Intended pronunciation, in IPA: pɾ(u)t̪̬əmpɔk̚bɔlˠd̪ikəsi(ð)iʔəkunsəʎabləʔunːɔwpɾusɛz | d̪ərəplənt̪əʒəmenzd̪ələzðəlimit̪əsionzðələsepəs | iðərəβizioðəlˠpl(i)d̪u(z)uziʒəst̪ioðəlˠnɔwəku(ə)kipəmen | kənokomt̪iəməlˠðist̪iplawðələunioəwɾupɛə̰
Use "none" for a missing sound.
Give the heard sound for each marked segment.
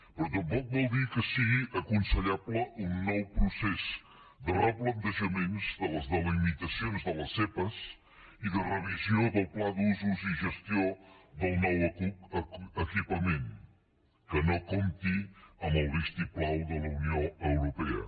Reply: ɔ, ɣ, a, z, ə

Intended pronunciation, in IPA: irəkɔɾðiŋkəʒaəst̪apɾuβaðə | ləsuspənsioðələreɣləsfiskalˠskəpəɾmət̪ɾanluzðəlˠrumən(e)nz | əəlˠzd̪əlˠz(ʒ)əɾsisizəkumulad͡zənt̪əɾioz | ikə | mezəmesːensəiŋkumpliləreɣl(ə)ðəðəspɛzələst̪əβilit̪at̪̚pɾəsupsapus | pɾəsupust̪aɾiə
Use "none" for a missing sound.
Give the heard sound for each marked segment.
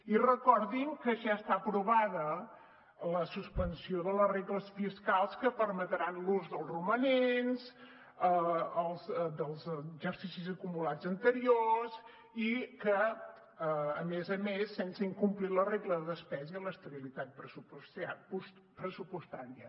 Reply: e, ʒ, ə

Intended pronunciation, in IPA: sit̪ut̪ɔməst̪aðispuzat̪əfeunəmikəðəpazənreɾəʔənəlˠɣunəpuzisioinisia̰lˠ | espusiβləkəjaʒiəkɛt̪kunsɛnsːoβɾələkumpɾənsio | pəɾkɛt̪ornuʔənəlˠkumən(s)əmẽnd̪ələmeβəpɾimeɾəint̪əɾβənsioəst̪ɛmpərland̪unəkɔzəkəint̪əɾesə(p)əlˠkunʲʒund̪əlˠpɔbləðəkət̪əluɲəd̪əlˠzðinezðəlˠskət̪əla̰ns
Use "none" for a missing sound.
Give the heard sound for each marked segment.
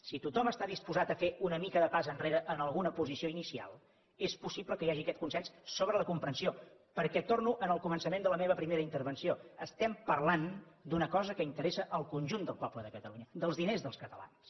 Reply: s, ʔ

